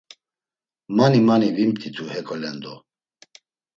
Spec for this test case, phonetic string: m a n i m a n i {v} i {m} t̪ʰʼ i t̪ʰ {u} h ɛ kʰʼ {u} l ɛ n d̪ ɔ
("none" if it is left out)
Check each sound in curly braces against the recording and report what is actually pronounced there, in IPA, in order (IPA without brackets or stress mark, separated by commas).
v, m, u, ɔ